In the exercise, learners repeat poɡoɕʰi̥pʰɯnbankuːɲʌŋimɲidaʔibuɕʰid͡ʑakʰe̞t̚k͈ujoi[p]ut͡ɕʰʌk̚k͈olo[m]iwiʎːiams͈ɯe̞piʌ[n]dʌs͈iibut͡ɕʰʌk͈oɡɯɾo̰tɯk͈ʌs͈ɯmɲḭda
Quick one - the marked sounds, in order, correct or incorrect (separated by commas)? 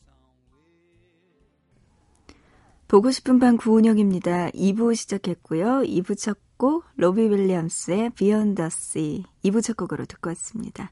incorrect, incorrect, correct